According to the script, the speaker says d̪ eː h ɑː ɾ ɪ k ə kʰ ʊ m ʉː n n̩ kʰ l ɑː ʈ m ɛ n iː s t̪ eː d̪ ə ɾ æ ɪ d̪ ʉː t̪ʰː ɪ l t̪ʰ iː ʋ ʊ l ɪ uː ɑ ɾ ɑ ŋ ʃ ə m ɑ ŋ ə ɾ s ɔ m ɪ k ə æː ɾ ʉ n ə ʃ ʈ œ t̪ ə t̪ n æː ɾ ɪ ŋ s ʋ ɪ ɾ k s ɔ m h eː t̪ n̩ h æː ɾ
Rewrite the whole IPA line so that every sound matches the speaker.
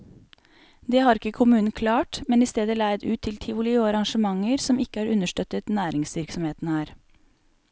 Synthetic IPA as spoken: d̪ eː h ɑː ɾ ɪ k ə kʰ ʊ m ʉː n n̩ kʰ l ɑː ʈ m ɛ n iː s t̪ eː d̪ ə l æ ɪ d̪ ʉː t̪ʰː ɪ l t̪ʰ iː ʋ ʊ l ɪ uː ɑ ɾ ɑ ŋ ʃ ə m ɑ ŋ ə ɾ s ɔ m ɪ k ə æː ɾ ʉ n ə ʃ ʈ œ t̪ ə t̪ n æː ɾ ɪ ŋ s ʋ ɪ ɾ k s ɔ m h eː t̪ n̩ h æː ɾ